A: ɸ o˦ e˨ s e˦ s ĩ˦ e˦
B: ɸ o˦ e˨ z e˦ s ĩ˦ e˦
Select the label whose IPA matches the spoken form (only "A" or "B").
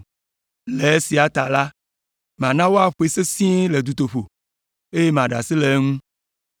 A